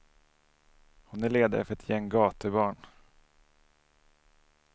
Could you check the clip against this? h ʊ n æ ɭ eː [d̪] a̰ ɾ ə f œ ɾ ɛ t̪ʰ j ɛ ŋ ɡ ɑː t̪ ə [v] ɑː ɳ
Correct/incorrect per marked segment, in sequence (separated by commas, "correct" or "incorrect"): correct, incorrect